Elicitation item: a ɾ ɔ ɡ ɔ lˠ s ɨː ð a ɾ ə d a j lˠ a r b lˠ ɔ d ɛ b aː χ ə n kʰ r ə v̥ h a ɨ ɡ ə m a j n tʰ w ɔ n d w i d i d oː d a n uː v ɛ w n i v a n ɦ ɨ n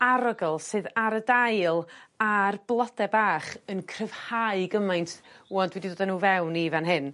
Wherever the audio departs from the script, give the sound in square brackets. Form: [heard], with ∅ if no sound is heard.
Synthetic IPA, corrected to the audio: a ɾ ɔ ɡ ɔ lˠ s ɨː ð a ɾ ə d a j lˠ a r b lˠ ɔ d ɛ b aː χ ə n kʰ r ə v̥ h a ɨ ɡ ə m a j n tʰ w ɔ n d w [ɛ] d i d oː d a n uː v ɛ w n i v a n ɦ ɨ n

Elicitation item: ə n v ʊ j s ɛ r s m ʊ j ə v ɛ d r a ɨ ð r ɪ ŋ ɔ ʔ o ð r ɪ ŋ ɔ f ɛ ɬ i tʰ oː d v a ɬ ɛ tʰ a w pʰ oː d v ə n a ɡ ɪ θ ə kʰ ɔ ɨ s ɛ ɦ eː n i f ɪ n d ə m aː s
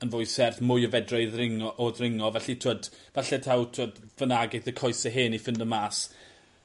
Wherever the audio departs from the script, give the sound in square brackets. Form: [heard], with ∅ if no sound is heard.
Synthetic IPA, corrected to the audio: ə n v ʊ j s ɛ r [θ] m ʊ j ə v ɛ d r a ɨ ð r ɪ ŋ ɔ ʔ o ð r ɪ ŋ ɔ [v] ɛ ɬ i tʰ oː d v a ɬ ɛ tʰ a w [tʰ] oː d v ə n a ɡ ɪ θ ə kʰ ɔ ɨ s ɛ ɦ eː n i f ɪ n d ə m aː s

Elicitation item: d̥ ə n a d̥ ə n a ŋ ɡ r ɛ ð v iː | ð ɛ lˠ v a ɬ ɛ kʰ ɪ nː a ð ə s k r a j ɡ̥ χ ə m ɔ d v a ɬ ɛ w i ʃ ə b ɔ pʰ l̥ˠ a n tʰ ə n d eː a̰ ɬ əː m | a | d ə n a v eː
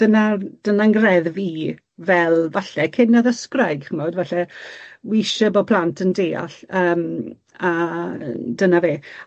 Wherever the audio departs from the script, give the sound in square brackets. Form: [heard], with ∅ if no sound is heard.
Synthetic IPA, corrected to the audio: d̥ ə n a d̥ ə n a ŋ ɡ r ɛ ð v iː | [v] ɛ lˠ v a ɬ ɛ kʰ ɪ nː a ð ə s k r a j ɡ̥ χ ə m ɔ d v a ɬ ɛ w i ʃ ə b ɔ pʰ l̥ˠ a n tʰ ə n d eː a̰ ɬ əː m | a | d ə n a v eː

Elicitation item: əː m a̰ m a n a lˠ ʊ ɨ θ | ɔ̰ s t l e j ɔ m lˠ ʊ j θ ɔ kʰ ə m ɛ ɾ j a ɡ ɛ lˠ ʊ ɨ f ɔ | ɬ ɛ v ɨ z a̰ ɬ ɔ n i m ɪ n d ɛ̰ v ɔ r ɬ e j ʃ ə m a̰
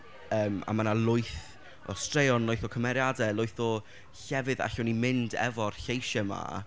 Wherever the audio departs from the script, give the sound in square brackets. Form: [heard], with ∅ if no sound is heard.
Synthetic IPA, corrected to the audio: əː m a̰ m a n a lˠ ʊ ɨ θ | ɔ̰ s t [r] e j ɔ [n] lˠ ʊ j θ ɔ kʰ ə m ɛ ɾ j a [d] ɛ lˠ ʊ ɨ [θ] ɔ | ɬ ɛ v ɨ [ð] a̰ ɬ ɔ n i m ɪ n d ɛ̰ v ɔ r ɬ e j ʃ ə m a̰

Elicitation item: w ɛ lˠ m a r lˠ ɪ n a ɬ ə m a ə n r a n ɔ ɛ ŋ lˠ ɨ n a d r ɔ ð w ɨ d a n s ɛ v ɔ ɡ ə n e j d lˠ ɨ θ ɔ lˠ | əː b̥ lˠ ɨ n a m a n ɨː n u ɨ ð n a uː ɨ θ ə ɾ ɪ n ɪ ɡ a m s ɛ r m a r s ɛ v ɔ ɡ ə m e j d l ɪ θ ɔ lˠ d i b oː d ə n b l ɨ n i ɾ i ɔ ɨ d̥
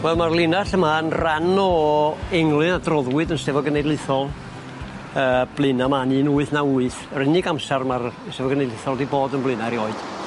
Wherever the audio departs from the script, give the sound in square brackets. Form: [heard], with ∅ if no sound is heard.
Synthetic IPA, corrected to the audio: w ɛ lˠ m a r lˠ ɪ n a ɬ ə m a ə n r a n ɔ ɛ ŋ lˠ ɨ n a d r ɔ ð w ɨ d [ə] n s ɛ v ɔ ɡ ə n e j d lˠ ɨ θ ɔ lˠ | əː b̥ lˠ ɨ n a m a n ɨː n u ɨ [θ] n a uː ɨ θ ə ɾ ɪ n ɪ ɡ a m s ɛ r m a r s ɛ v ɔ ɡ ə [n] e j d l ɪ θ ɔ lˠ d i b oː d ə n b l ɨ n [a] ɾ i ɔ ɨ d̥

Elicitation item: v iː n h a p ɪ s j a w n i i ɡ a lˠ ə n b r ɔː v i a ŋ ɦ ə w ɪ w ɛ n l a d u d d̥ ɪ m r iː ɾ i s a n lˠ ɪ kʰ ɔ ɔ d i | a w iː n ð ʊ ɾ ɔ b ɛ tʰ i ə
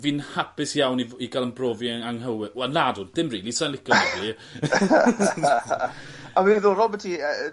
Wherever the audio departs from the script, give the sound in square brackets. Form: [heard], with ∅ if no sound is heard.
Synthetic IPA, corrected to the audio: v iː n h a p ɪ s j a w n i i ɡ a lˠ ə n b r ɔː v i a ŋ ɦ ə w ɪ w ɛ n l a d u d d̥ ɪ m r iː [l] i s a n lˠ ɪ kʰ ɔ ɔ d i | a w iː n ð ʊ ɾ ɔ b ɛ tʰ i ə

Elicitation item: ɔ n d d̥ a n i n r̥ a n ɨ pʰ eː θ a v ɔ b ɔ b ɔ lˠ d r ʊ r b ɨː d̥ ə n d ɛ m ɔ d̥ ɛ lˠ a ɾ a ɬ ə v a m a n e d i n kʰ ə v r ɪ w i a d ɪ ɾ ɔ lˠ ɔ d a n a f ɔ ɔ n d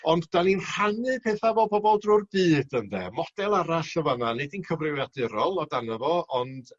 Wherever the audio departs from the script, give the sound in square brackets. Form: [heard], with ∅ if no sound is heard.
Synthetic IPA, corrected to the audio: ɔ n d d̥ a n i n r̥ a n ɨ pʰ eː θ a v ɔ b ɔ b ɔ lˠ d r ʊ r b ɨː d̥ ə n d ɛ m ɔ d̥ ɛ lˠ a ɾ a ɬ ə v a [n] a n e d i n kʰ ə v r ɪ w [j] a d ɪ ɾ ɔ lˠ ɔ d a n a [v] ɔ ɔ n d

